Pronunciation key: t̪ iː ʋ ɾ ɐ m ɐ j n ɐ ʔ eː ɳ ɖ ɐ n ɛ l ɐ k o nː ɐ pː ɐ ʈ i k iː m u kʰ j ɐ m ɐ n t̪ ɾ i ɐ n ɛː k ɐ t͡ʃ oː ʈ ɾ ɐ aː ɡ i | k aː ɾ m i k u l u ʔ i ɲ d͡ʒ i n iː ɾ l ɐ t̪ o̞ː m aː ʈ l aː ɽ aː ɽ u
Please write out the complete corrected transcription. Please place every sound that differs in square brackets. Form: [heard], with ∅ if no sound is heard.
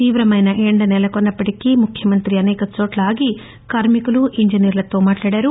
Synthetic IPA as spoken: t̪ iː ʋ ɾ ɐ m ɐ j n ɐ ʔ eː ɳ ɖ ɐ n ɛ l ɐ k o nː ɐ pː ɐ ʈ i k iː m u kʰ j ɐ m ɐ n t̪ ɾ i ɐ n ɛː k ɐ t͡ʃ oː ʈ [l] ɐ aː ɡ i | k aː ɾ m i k u l u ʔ i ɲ d͡ʒ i n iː ɾ l ɐ t̪ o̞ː m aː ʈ l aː ɽ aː [ɾ] u